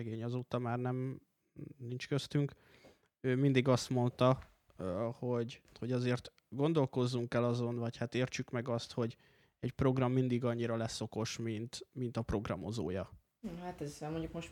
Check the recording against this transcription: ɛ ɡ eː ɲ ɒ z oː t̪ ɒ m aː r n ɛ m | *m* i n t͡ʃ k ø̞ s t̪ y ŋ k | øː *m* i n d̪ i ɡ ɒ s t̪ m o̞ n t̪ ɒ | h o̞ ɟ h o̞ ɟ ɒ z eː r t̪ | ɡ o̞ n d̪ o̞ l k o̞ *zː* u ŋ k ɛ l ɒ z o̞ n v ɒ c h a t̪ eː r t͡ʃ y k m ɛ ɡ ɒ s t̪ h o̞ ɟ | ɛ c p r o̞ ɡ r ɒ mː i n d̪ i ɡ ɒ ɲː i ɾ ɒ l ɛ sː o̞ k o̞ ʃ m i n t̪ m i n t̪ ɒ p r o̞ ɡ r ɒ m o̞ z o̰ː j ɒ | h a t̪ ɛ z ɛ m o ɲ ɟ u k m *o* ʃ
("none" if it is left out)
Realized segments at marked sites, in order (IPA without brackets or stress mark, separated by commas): n, m, zː, o